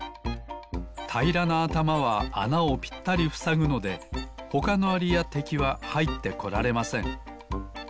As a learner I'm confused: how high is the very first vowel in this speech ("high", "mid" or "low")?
low